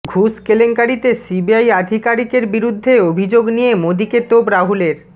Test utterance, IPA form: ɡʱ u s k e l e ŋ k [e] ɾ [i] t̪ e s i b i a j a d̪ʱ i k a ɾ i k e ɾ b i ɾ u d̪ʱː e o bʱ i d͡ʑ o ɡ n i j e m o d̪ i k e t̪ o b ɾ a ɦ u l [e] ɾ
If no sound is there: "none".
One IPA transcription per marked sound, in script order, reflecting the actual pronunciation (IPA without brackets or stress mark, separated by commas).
a, i, e